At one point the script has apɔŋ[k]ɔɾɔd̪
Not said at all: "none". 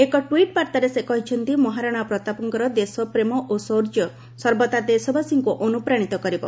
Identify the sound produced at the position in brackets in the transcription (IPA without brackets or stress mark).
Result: k